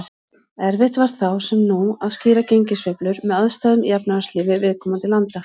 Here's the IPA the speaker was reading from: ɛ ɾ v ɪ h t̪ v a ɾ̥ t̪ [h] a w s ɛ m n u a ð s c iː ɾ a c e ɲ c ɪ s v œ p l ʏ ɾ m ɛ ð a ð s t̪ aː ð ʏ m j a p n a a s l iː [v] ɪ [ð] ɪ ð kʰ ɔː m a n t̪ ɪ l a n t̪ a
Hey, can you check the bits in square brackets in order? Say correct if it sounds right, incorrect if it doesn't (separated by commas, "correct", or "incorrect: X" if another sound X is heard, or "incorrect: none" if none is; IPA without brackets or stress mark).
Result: incorrect: θ, correct, incorrect: v